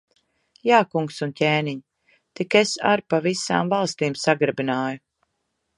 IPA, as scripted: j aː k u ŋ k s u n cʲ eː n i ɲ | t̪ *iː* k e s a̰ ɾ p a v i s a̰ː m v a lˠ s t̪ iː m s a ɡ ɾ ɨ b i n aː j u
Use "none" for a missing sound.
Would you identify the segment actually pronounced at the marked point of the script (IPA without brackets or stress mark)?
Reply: i